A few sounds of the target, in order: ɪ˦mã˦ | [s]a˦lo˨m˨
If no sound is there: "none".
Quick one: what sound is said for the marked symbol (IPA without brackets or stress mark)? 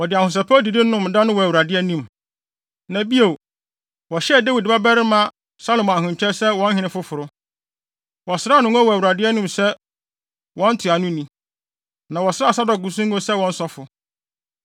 s